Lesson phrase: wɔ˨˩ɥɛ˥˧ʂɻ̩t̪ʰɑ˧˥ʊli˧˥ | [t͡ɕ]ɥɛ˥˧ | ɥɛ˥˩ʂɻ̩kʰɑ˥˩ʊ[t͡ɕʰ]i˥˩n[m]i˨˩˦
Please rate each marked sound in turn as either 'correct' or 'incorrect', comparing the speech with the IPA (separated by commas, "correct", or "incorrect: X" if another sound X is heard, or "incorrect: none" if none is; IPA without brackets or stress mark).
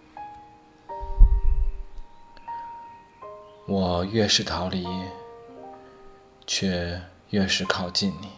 incorrect: t͡ɕʰ, incorrect: t͡ɕ, incorrect: n